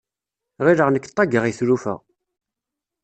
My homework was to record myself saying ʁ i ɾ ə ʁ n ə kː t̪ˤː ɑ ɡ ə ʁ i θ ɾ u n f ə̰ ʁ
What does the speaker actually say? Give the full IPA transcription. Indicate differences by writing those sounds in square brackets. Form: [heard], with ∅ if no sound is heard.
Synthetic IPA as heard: ʁ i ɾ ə ʁ n ə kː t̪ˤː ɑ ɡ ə ʁ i θ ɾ u [∅] f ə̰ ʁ